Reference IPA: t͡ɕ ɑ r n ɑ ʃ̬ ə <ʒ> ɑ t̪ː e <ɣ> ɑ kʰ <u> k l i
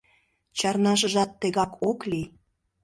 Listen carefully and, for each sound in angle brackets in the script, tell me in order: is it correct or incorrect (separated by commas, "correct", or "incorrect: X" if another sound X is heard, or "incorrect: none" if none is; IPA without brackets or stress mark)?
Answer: correct, correct, incorrect: o